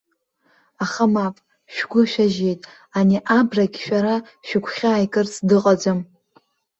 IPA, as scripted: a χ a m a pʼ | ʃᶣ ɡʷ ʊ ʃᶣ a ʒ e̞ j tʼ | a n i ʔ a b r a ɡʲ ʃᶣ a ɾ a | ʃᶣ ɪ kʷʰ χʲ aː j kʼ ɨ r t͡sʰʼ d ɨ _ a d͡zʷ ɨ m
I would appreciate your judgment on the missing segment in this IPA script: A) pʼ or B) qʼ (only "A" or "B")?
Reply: B